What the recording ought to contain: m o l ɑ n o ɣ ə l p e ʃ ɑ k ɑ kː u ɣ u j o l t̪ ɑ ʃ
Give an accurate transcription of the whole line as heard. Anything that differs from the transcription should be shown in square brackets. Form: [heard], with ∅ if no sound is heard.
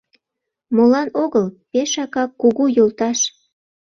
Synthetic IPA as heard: m o l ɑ n o ɣ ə l p e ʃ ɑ k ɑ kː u ɣ u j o l t̪ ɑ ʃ